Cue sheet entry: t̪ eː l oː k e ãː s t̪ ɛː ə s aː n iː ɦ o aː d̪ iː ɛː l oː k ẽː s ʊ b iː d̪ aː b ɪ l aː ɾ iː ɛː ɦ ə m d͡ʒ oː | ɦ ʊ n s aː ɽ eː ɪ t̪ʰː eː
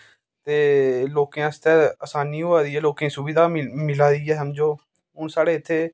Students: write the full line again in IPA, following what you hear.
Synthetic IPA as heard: t̪ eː l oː k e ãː s t̪ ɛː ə s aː n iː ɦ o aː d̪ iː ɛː l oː k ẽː s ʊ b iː d̪ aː m ɪ l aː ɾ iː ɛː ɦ ə m d͡ʒ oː | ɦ ʊ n s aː ɽ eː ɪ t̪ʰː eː